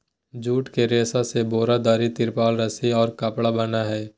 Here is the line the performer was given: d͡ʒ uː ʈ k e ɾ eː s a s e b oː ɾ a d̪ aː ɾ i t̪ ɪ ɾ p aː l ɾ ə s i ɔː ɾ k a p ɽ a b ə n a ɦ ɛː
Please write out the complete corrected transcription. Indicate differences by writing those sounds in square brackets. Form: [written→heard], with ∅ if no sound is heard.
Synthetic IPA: d͡ʒ uː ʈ k e ɾ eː s a s e b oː ɾ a d̪ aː ɾ i t̪ ɪ ɾ p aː l ɾ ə s i ɔː ɾ k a p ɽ a b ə n a ɦ ɛː